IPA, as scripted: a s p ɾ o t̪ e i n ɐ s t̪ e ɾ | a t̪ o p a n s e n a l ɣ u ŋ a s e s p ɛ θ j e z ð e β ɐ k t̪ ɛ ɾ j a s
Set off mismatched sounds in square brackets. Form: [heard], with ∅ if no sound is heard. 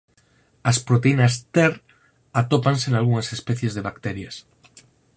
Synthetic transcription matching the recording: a s p ɾ o t̪ e i n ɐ s t̪ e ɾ | a t̪ o p a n s e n a l ɣ u ŋ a s e s p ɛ θ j e z ð e β [a] k t̪ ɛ ɾ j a s